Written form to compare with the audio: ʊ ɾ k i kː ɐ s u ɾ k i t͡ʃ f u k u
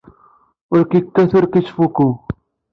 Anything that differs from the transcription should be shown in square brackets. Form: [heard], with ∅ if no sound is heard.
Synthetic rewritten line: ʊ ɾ k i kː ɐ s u ɾ k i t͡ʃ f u k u